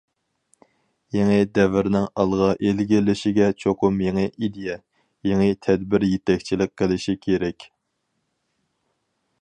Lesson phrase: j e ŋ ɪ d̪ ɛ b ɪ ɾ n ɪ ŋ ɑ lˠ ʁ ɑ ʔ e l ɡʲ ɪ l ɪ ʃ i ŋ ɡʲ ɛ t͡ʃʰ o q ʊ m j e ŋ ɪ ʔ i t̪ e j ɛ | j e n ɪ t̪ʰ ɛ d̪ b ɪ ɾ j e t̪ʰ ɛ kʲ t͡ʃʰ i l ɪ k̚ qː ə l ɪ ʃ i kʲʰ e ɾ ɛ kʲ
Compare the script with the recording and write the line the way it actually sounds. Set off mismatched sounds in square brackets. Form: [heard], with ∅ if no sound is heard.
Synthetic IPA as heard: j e ŋ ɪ d̪ ɛ [v] ɪ ɾ n ɪ ŋ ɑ lˠ ʁ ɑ ʔ e l ɡʲ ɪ l ɪ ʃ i [∅] ɡʲ ɛ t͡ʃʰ o q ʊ m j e ŋ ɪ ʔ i [d̪] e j ɛ | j e [ŋ] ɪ t̪ʰ ɛ d̪ b ɪ ɾ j e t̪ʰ ɛ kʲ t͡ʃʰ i l ɪ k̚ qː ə l ɪ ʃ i kʲʰ e ɾ ɛ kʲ